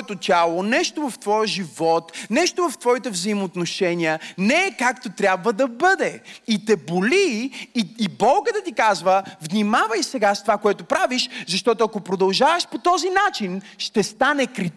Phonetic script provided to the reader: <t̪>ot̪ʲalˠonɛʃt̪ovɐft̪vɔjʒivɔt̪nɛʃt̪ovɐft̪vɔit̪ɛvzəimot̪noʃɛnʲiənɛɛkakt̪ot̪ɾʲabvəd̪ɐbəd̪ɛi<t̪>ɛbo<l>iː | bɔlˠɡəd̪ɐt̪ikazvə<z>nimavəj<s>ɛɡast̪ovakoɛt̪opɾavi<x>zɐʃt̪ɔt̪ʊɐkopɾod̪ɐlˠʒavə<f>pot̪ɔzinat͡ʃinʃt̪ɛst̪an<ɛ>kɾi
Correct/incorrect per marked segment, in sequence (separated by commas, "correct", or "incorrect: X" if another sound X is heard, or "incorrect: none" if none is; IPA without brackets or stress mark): correct, correct, correct, incorrect: v, correct, incorrect: ʃ, incorrect: ʃ, correct